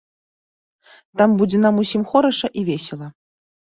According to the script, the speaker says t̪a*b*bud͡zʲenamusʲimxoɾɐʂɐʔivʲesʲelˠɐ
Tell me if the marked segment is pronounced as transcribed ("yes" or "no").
no